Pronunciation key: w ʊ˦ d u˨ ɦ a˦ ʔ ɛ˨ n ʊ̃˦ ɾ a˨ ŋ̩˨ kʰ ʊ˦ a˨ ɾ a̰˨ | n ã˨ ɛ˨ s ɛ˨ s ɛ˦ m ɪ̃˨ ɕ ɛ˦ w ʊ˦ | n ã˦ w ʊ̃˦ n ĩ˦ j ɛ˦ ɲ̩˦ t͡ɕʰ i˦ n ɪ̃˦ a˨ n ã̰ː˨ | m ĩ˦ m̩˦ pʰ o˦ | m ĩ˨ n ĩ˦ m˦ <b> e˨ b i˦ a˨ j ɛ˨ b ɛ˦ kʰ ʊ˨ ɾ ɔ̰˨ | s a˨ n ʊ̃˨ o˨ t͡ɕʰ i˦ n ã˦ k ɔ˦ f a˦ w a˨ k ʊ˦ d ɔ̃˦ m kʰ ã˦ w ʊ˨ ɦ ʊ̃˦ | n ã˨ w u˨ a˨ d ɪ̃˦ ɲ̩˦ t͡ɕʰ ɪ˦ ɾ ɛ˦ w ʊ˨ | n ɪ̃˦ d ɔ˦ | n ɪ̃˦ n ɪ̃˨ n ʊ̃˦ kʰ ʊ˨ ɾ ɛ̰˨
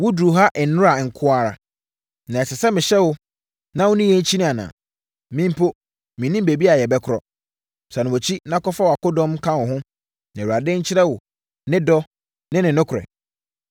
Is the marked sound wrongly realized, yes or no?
no